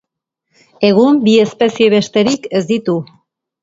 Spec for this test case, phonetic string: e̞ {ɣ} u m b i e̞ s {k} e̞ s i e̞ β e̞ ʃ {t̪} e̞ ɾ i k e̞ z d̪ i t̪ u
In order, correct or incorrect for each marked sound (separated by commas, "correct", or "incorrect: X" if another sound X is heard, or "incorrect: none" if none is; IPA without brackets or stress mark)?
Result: correct, incorrect: p, correct